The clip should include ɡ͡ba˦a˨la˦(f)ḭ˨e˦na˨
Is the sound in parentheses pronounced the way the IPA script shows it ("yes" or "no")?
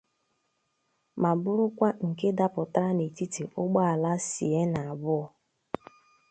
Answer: no